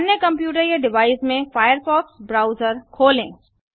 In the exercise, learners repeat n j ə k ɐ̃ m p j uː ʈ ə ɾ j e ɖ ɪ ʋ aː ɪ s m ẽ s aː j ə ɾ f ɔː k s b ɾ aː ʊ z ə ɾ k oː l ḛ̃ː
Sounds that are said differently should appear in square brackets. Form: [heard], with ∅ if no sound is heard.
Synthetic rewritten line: n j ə k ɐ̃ m p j uː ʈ ə ɾ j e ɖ ɪ ʋ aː ɪ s m ẽ [f] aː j ə ɾ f ɔː k s b ɾ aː ʊ z ə ɾ [kʰ] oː l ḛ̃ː

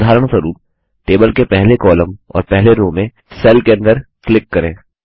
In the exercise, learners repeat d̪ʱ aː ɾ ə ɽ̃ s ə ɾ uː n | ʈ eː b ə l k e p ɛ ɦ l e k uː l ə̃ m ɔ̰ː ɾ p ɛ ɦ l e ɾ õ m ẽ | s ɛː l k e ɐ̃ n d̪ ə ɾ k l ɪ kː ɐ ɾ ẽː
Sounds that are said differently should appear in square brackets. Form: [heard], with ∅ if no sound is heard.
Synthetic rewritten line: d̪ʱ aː ɾ ə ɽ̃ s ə ɾ uː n | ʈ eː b ə l k e p ɛ ɦ l e k [ɔː] l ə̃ m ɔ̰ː ɾ p ɛ ɦ l e ɾ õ m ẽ | s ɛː l k e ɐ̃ n d̪ ə ɾ k l ɪ kː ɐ ɾ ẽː

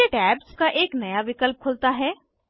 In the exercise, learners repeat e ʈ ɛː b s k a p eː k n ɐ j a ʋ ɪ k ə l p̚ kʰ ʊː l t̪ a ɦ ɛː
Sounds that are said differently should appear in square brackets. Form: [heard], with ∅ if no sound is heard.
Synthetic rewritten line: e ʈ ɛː b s k a [ʔ] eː k n ɐ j a ʋ ɪ k ə l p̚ kʰ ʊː l t̪ a ɦ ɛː

